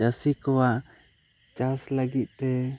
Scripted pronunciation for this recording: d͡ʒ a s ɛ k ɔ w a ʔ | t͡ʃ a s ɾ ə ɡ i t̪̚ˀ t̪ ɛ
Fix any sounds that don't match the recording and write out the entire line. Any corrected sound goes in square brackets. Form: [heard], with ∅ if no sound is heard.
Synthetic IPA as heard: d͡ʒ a s [i] k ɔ w a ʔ | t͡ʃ a s [l] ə ɡ i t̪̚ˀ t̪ ɛ